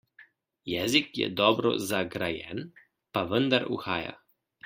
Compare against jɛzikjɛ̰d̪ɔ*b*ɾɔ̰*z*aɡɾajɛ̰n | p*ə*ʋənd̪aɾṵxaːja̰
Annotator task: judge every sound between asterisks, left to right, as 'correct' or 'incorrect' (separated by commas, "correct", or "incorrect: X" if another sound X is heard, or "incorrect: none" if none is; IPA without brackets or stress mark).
correct, correct, incorrect: a